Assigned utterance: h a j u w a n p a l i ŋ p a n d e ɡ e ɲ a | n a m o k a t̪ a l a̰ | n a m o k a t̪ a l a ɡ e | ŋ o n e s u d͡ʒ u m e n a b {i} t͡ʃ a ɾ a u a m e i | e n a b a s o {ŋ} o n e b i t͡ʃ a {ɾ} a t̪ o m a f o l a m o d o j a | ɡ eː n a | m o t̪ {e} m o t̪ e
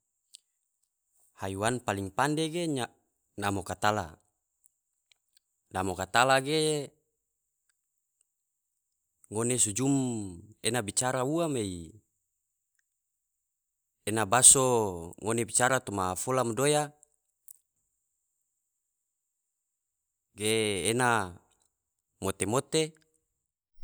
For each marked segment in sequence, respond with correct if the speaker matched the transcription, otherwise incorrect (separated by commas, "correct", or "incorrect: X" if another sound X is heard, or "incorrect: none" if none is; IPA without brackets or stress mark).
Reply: correct, correct, correct, correct